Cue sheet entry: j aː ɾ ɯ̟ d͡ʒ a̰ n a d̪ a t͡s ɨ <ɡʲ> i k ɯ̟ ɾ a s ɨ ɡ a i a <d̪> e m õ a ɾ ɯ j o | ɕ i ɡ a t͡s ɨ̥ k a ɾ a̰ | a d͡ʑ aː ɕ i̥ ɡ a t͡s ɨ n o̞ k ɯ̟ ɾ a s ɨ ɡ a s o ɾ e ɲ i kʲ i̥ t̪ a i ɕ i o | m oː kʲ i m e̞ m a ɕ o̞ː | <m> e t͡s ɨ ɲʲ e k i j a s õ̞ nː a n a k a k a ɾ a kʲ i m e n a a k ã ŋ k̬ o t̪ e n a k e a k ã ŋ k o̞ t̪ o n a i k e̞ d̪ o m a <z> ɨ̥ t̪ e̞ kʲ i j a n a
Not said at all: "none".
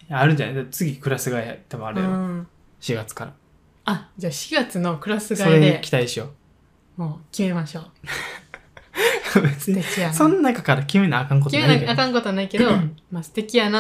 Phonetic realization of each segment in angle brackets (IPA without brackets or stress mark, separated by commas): ɡʲ, t̪, b, s